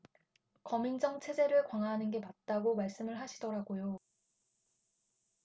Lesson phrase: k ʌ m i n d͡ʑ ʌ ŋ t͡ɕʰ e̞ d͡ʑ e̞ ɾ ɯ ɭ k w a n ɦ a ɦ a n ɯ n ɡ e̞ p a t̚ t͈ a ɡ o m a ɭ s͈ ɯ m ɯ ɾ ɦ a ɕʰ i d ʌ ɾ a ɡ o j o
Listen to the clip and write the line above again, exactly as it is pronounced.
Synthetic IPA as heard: k ʌ m i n d͡ʑ ʌ ŋ t͡ɕʰ e̞ d͡ʑ e̞ ɾ ɯ ɭ k w a ŋ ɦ a ɦ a n ɯ n ɡ e̞ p a t̚ t͈ a ɡ o m a ɭ s͈ ɯ m ɯ ɭ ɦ a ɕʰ i d ʌ ɾ a ɡ o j o